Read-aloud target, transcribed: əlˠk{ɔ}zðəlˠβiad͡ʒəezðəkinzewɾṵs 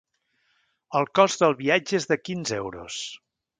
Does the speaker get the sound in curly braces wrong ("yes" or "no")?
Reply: no